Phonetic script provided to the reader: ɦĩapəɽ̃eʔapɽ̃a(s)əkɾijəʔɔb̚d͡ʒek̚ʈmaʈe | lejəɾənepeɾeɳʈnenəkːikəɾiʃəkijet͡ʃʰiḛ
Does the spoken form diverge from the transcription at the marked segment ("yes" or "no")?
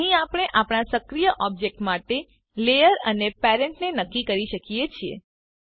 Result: no